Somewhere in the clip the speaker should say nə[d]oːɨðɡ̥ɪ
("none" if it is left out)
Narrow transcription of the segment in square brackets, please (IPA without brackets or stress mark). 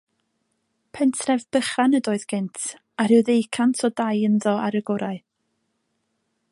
d